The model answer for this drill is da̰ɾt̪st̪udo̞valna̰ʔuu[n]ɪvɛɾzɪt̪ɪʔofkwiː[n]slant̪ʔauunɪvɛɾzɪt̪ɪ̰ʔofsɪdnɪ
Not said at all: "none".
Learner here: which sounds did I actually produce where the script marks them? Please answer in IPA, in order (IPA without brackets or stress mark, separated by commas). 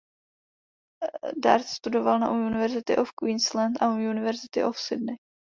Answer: n, n